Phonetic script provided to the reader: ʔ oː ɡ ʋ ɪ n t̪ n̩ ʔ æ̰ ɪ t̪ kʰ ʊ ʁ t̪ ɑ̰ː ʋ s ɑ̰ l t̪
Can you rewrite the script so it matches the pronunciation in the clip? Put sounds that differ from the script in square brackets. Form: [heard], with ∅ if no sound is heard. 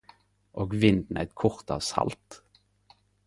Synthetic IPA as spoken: ʔ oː ɡ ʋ ɪ n [d̪] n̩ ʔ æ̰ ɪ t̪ kʰ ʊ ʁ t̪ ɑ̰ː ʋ s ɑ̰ l t̪